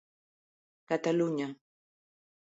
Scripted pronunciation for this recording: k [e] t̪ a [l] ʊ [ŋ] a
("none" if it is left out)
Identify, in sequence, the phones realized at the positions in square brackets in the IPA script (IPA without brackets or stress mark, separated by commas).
a, l, ɲ